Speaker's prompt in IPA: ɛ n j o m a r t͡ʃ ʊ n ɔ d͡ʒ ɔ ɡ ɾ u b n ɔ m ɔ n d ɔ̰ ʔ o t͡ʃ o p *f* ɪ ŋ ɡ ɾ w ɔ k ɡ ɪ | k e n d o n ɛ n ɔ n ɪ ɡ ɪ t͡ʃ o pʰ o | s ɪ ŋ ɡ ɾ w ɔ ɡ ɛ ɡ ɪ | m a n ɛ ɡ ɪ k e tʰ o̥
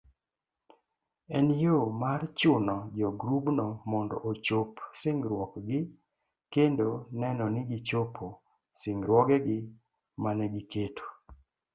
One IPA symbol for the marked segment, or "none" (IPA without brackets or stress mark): s